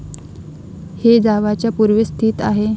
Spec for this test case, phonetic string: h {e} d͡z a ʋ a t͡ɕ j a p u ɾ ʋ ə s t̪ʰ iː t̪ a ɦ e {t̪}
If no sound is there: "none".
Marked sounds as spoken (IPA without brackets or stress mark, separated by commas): e, none